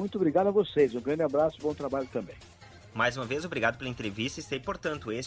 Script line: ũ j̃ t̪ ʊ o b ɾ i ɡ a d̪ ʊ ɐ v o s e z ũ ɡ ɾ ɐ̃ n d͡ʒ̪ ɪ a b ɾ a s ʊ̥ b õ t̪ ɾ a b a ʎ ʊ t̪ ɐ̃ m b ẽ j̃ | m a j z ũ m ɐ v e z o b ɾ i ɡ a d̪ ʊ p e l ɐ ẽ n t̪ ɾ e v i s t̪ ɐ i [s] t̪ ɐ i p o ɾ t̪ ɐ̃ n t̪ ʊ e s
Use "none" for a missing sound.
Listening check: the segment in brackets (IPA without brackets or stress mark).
s